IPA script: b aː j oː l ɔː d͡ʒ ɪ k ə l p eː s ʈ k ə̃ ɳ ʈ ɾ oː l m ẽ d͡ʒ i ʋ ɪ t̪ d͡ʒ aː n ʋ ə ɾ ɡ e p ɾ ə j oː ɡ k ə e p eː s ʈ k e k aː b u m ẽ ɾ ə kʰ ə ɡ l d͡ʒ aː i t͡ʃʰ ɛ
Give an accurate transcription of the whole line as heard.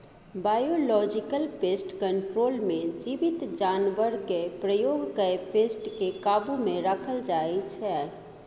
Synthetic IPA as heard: b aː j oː l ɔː d͡ʒ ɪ k ə l p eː s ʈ k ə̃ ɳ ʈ ɾ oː l m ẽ d͡ʒ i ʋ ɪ t̪ d͡ʒ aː n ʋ ə ɾ ɡ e p ɾ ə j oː ɡ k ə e p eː s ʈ k e k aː b u m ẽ ɾ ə kʰ ə l d͡ʒ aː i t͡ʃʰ ɛ

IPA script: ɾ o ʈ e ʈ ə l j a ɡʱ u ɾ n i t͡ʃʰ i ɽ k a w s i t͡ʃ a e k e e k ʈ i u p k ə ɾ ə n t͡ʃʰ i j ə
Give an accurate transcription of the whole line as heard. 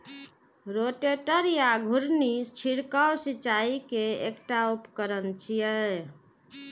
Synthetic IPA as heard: ɾ o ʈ e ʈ ə ɾ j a ɡʱ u ɾ n i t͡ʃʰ i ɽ k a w s i t͡ʃ a i k e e k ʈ a u p k ə ɾ ə n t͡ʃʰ i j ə

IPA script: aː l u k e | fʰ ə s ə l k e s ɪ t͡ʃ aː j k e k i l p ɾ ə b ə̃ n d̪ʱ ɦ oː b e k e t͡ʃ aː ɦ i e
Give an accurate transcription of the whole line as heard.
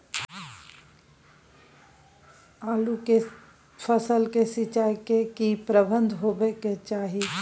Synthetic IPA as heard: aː l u k e | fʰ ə s ə l k e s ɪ t͡ʃ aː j k e k i p ɾ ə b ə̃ n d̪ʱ ɦ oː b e k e t͡ʃ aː ɦ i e

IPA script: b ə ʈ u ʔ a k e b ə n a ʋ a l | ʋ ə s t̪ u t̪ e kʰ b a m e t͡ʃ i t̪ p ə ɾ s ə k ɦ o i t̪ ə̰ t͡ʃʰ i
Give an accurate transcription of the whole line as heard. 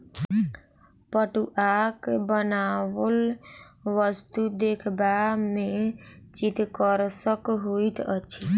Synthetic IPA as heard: p ə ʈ u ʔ a k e b ə n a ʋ ə l | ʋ ə s t̪ u d̪ e kʰ b a m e t͡ʃ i t̪ k ə ɾ s ə k ɦ o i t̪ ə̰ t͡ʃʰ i

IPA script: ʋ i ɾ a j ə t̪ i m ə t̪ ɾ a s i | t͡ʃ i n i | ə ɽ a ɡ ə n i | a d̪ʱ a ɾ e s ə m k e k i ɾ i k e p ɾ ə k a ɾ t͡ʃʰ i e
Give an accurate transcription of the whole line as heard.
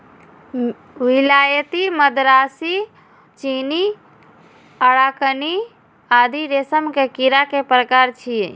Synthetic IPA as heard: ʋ i l a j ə t̪ i m ə d̪ ɾ a s i | t͡ʃ i n i | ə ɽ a k ə n i | a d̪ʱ i ɾ e s ə m k e k i ɾ a k e p ɾ ə k a ɾ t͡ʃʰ i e

